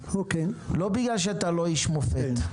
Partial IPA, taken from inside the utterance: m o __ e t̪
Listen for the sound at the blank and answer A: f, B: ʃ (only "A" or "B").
A